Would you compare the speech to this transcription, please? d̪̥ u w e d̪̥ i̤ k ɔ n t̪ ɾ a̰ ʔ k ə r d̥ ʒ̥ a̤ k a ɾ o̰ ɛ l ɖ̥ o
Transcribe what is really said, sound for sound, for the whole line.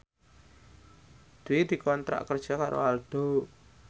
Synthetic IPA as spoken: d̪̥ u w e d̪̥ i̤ k ɔ n t̪ ɾ a̰ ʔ k ə r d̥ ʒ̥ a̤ k a ɾ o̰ a l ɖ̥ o